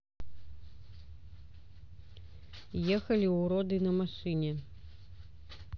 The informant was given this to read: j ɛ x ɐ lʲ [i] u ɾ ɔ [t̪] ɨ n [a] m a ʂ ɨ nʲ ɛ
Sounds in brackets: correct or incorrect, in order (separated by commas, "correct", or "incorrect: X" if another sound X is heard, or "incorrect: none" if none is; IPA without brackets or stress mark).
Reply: correct, incorrect: d̪, incorrect: ɐ